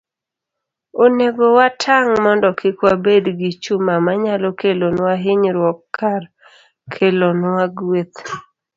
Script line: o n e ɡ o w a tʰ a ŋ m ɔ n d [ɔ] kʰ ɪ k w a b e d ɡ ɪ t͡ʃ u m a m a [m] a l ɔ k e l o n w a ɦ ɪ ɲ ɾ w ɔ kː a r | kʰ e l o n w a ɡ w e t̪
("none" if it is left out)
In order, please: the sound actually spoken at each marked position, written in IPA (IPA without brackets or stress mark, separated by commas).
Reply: ɔ, ɲ